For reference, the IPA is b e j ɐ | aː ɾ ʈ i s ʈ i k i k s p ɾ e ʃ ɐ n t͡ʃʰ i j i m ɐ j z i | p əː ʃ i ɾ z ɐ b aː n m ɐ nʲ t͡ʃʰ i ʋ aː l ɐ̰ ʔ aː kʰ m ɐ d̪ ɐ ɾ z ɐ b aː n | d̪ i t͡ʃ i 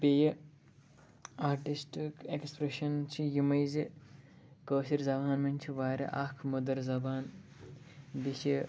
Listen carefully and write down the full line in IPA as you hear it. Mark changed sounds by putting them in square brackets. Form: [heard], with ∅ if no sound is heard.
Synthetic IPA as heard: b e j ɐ | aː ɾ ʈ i s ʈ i k [e] k s p ɾ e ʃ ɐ n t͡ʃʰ i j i m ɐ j z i | [k] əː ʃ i ɾ z ɐ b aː n m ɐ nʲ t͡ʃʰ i ʋ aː [ɾ] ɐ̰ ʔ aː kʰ m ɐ d̪ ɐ ɾ z ɐ b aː n | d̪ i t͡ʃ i